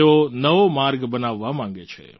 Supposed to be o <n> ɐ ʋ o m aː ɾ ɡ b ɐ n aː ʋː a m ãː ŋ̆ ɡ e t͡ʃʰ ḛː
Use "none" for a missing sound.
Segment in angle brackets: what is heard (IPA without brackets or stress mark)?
n